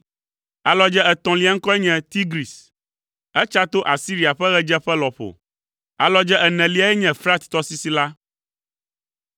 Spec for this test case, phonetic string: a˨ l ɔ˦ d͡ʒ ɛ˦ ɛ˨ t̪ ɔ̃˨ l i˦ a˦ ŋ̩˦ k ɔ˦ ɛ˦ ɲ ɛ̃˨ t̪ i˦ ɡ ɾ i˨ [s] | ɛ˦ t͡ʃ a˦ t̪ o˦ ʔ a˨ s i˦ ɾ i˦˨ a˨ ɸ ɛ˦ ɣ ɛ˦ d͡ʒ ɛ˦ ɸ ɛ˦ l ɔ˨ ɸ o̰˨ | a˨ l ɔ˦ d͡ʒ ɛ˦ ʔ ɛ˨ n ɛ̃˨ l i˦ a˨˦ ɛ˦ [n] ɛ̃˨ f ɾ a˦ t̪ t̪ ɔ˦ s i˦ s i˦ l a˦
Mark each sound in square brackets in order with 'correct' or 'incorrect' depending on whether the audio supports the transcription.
correct, incorrect

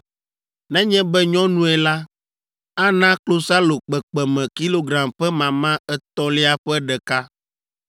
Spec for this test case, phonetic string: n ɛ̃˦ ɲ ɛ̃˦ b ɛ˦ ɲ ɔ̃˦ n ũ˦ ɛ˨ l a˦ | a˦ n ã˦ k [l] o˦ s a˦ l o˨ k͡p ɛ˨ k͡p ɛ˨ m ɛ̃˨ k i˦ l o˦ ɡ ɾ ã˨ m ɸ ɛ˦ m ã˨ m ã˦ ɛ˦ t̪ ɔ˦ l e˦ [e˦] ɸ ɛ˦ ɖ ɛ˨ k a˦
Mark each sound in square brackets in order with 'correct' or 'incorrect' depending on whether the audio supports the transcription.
correct, incorrect

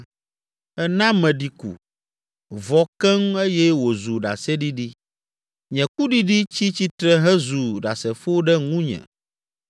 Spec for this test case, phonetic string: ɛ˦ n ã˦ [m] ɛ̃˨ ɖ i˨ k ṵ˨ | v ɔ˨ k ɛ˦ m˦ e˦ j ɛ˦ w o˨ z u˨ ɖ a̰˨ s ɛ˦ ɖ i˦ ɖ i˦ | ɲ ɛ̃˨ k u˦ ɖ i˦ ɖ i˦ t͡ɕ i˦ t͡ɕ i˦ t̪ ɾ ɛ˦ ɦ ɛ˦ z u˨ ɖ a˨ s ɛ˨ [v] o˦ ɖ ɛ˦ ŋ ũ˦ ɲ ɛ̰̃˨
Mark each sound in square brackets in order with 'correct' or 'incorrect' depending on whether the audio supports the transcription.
correct, incorrect

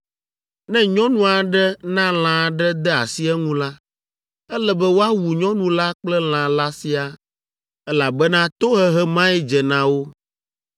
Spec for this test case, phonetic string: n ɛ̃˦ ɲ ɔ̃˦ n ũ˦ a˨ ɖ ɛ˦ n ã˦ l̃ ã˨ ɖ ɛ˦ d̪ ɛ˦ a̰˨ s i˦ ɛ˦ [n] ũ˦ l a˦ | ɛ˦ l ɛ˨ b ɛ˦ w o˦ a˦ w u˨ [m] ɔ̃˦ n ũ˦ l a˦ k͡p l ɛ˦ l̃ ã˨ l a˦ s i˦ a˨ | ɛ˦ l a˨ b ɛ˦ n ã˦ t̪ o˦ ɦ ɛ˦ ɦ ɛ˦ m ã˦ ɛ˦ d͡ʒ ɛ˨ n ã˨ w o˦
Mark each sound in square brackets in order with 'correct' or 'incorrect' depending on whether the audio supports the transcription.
incorrect, incorrect

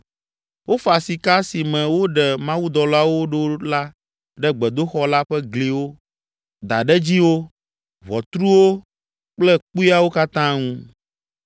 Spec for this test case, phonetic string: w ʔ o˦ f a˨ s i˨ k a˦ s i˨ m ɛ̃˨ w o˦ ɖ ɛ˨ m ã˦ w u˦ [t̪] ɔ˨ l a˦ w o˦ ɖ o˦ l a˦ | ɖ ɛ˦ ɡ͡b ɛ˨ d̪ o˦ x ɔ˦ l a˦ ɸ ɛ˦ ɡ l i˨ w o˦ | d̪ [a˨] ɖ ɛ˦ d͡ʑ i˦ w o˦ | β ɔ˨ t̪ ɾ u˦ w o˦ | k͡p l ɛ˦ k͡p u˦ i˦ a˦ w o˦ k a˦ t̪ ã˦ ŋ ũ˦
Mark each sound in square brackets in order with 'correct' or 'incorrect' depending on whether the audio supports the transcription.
incorrect, correct

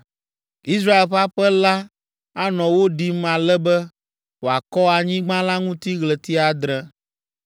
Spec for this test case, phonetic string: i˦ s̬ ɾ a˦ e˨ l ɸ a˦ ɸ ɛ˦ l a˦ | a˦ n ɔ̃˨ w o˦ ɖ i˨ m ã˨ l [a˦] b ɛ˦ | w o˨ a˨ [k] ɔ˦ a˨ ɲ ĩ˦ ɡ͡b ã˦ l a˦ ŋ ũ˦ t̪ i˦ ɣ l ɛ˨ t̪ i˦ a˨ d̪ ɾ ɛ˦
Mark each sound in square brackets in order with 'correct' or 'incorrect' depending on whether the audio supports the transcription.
incorrect, correct

